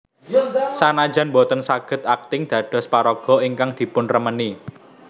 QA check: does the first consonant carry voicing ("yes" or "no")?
no